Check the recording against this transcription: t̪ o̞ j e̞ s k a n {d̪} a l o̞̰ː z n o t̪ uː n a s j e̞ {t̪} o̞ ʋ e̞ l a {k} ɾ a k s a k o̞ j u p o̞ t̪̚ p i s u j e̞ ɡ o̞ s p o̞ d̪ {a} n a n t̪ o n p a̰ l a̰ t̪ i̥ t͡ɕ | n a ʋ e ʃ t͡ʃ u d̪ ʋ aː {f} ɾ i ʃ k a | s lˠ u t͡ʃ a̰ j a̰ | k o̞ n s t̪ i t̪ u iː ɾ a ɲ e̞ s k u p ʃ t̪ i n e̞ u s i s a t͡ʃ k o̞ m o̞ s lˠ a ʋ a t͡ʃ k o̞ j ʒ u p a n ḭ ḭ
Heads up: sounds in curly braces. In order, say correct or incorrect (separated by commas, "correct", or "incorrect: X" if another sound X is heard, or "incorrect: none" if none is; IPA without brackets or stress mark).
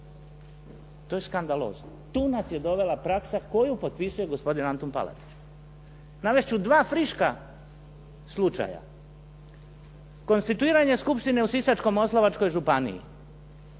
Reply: correct, incorrect: d̪, incorrect: p, incorrect: i, correct